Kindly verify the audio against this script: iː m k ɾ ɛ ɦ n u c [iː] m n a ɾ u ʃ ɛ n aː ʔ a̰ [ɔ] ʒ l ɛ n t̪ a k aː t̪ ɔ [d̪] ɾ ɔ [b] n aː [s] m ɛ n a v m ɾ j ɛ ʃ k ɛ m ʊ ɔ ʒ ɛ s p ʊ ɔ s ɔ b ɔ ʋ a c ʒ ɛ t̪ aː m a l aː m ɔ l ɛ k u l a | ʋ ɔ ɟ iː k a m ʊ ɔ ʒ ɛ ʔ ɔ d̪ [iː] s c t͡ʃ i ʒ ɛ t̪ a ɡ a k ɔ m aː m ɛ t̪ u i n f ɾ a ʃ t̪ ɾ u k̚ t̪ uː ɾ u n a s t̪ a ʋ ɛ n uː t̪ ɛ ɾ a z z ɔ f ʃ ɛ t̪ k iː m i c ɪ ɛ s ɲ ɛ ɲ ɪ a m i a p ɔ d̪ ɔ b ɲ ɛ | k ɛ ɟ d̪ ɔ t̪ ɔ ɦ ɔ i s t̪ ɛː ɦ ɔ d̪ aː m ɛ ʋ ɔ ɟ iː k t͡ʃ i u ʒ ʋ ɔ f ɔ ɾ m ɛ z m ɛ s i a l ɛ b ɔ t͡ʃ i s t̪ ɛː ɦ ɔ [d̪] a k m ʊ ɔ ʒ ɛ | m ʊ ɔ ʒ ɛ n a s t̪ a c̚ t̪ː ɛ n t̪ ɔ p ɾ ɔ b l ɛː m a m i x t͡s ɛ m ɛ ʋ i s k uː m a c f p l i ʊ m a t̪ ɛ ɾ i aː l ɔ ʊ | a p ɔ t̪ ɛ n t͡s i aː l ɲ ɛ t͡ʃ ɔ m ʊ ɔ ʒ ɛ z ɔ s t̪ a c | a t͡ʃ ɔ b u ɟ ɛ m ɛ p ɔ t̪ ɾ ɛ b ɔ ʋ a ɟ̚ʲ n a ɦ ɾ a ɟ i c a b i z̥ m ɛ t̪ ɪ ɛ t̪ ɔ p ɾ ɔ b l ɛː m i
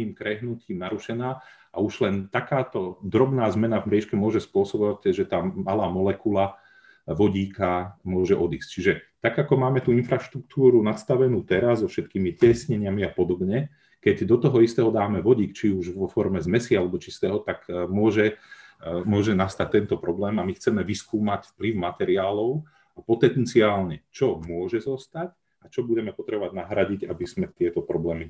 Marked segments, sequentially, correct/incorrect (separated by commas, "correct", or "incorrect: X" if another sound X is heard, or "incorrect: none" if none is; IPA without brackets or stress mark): correct, incorrect: u, correct, correct, incorrect: z, correct, incorrect: t̪